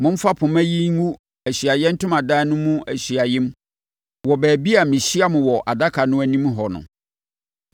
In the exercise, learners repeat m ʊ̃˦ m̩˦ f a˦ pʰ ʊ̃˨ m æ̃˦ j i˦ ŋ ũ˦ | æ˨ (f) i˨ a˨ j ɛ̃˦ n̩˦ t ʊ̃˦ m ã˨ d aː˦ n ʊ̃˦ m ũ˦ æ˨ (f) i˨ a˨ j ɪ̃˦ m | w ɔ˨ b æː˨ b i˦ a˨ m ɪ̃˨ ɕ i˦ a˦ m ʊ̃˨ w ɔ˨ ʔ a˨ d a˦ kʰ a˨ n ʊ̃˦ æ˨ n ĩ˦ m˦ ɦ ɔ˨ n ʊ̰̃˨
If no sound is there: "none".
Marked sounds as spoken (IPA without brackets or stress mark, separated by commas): ɕ, ɕ